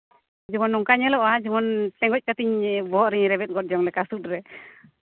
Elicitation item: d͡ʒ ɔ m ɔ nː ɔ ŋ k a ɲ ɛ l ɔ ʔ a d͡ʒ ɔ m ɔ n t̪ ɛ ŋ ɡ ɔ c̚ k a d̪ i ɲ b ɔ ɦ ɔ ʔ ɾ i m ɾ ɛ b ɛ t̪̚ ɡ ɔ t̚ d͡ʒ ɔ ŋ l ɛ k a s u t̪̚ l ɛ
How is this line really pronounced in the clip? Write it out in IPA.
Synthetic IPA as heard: d͡ʒ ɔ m ɔ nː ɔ ŋ k a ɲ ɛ l ɔ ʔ a d͡ʒ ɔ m ɔ n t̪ ɛ ŋ ɡ ɔ c̚ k a t̪ i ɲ b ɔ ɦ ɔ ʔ ɾ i ɲ ɾ ɛ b ɛ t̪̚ ɡ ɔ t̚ d͡ʒ ɔ ŋ l ɛ k a s u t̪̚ ɾ ɛ